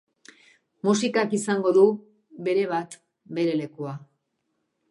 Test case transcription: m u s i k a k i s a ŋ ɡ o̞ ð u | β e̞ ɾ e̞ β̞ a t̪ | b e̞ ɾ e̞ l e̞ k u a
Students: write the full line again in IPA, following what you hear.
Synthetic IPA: m u s i k a k i s a ŋ ɡ o̞ ð u | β e̞ ɾ e̞ β̞ a t̪ | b e̞ ɾ e̞ l e̞ k u a